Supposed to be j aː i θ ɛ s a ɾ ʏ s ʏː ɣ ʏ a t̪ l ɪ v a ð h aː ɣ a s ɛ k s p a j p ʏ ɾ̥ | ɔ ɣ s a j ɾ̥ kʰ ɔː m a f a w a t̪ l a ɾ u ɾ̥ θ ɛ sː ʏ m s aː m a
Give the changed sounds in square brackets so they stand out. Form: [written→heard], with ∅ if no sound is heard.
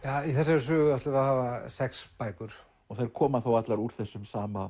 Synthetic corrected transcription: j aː i θ ɛ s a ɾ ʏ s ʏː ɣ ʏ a t̪ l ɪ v a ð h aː [ɣ→v] a s ɛ k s p a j [p→k] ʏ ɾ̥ | ɔ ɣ [s→θ] a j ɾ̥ kʰ ɔː m a [f→θ] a w a t̪ l a ɾ u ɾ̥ θ ɛ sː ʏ m s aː m a